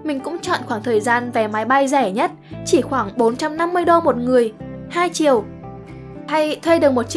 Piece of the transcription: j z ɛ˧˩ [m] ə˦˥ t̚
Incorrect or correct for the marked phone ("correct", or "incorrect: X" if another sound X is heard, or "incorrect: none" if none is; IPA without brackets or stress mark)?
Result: incorrect: ɲ